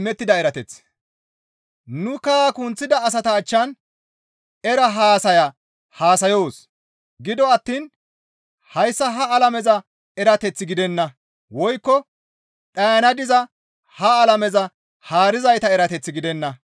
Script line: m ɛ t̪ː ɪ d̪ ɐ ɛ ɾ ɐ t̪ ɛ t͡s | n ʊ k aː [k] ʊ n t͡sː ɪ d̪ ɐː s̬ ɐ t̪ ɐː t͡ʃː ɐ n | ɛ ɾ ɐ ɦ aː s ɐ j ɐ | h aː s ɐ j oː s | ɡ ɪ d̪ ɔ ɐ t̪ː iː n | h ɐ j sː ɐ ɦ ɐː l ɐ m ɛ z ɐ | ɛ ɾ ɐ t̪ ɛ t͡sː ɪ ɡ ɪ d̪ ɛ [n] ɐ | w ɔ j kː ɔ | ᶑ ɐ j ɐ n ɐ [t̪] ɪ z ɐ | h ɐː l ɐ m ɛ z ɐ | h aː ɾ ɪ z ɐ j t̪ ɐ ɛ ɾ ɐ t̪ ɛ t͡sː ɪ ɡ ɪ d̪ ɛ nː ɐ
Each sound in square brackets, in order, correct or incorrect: correct, incorrect, incorrect

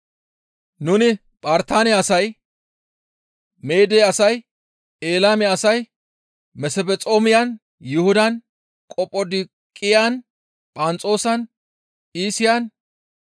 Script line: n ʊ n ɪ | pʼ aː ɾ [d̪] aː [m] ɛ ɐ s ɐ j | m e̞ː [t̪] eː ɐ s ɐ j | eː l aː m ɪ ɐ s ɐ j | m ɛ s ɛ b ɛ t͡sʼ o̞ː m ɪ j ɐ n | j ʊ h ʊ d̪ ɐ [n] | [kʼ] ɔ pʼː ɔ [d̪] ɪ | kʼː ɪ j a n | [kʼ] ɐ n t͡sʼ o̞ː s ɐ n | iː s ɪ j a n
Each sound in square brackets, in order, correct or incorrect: incorrect, incorrect, incorrect, correct, correct, correct, incorrect

